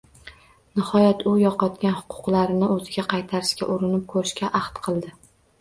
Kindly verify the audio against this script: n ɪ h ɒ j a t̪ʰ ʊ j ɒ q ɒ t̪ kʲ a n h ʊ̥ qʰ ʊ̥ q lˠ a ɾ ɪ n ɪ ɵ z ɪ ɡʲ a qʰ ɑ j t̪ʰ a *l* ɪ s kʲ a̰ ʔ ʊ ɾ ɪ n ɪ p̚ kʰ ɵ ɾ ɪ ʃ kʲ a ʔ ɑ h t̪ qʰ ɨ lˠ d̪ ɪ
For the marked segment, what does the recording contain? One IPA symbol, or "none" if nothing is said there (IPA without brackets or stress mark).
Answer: ɾ